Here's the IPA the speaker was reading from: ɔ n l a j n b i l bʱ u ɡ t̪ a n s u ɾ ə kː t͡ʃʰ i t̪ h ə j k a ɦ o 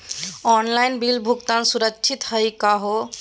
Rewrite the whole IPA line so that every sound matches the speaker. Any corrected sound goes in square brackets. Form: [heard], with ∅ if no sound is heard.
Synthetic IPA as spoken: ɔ n l a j n b i l bʱ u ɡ t̪ a n s u ɾ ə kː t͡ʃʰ i t̪ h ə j k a ɦ o